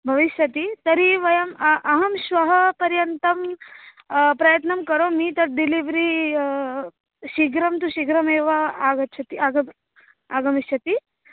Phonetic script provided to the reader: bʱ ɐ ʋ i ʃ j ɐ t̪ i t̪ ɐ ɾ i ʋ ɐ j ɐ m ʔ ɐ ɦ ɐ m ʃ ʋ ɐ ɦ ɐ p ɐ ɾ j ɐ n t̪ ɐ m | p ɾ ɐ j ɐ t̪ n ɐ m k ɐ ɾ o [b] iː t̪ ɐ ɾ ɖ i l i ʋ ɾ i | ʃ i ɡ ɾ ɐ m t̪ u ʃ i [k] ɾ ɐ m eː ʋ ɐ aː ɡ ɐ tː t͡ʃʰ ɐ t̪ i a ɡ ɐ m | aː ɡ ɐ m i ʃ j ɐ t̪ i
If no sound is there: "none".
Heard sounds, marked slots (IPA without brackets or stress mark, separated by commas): m, ɡ